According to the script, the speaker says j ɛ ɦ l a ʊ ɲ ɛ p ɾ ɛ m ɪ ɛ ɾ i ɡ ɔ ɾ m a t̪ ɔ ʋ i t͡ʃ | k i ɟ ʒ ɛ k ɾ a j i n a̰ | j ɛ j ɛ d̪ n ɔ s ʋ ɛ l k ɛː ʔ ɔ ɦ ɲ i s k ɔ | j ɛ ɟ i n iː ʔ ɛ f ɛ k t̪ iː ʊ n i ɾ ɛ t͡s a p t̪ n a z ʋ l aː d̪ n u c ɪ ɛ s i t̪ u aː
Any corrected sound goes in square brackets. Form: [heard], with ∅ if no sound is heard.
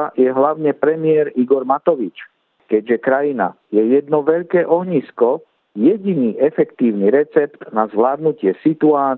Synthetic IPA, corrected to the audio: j ɛ ɦ l a ʊ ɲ ɛ p ɾ ɛ m ɪ ɛ ɾ i ɡ ɔ ɾ m a t̪ ɔ ʋ i t͡ʃ | k [ɛ] ɟ ʒ ɛ k ɾ a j i n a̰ | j ɛ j ɛ d̪ n ɔ [∅] ʋ ɛ [ʎ] k ɛː ʔ ɔ ɦ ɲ i s k ɔ | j ɛ ɟ i n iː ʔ ɛ f ɛ k t̪ iː ʊ n i ɾ ɛ t͡s [ɛ] p t̪ n a z ʋ l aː d̪ n u c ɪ ɛ s i t̪ u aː